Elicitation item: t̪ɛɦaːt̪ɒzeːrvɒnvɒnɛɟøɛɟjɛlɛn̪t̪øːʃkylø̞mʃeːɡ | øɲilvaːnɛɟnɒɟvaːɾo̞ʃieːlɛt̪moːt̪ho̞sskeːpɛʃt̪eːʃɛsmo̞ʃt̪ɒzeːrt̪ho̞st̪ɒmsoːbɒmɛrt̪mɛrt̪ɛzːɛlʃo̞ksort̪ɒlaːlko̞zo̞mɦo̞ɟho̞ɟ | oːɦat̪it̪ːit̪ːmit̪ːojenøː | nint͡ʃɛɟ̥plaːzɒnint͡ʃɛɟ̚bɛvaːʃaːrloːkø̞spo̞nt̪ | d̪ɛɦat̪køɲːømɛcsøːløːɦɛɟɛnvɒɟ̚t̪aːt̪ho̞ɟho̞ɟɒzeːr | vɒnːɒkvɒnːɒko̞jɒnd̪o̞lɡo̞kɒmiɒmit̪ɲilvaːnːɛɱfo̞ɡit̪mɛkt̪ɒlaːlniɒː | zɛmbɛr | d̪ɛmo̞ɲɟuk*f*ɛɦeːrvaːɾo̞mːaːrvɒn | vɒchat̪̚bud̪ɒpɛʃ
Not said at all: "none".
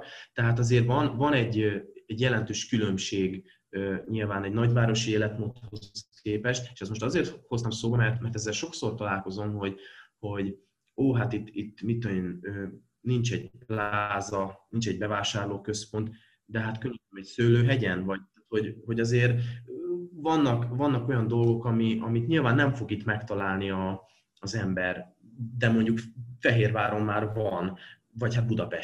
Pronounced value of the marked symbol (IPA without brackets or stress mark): f